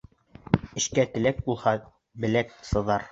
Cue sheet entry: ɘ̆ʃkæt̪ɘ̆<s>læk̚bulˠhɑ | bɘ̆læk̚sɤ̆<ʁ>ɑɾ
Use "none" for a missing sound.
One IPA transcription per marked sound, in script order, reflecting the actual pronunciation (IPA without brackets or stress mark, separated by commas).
none, ð